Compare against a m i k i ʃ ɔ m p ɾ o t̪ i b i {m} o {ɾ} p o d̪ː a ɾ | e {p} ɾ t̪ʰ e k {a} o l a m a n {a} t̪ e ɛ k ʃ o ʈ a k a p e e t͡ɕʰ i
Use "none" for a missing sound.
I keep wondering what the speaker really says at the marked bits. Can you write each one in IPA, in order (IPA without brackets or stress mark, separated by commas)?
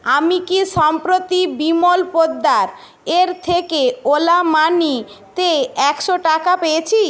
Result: m, l, none, e, i